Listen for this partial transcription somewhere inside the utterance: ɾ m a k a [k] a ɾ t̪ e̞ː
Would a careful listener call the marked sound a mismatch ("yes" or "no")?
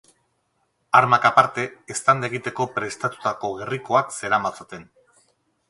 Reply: yes